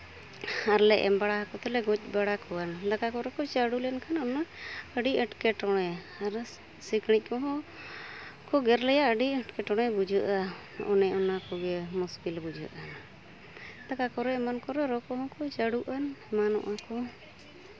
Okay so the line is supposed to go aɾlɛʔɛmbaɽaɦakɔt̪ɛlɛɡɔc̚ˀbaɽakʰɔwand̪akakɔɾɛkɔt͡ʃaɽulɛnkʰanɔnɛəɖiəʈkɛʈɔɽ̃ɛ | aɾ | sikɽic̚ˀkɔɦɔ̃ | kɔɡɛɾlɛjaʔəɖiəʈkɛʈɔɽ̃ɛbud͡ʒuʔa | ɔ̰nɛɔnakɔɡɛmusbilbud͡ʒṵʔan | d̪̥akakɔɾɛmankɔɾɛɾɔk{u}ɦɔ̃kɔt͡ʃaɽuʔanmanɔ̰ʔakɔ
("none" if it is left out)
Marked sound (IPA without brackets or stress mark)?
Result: ɔ